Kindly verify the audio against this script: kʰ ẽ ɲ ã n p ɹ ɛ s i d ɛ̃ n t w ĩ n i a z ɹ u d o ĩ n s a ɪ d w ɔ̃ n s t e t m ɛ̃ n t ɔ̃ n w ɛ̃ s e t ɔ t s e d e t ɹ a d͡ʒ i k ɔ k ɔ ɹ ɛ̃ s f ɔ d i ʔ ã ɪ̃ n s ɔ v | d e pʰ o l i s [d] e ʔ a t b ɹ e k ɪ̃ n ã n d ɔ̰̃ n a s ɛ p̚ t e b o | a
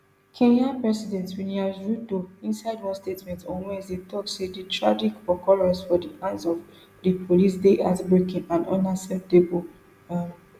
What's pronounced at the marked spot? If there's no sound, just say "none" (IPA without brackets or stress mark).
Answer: d